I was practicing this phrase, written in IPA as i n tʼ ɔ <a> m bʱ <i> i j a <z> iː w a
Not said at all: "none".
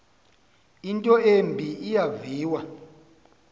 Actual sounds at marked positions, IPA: e, i, v

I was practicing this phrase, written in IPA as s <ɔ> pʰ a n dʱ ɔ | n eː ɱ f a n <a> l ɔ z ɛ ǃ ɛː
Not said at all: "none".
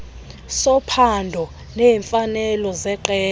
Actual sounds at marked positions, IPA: ɔ, ɛ

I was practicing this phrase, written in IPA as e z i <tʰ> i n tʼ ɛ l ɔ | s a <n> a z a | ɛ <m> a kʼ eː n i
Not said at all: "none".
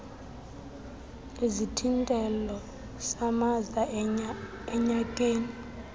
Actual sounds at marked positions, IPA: tʰ, m, ɲ

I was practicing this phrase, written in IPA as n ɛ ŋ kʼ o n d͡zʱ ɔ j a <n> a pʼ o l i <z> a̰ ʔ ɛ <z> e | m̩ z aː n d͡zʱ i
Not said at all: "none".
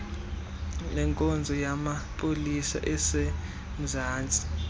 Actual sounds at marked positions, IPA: m, s, s

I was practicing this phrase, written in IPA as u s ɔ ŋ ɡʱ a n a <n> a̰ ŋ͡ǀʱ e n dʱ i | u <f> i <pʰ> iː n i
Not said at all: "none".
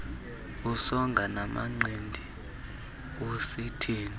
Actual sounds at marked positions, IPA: m, s, tʰ

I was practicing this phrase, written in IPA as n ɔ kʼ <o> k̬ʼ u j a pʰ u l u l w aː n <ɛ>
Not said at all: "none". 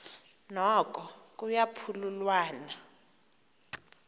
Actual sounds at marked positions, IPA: ɔ, a

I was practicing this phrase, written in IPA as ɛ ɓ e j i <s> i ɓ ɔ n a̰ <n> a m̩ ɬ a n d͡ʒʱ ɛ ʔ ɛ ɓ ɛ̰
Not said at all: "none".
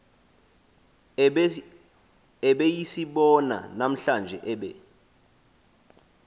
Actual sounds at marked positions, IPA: s, n

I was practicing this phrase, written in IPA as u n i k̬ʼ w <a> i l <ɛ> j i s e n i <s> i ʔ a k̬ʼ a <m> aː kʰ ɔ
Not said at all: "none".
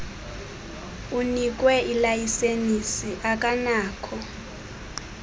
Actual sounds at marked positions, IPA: ɛ, a, s, n

